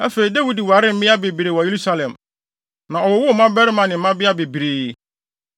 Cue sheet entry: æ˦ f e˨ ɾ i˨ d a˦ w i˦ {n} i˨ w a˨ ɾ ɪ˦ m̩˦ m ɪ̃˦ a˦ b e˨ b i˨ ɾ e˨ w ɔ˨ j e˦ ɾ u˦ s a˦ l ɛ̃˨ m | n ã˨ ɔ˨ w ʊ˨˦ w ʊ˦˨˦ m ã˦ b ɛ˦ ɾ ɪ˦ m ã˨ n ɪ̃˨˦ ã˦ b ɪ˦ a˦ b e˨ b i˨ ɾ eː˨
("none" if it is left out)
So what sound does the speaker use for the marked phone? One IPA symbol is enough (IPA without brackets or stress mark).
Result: d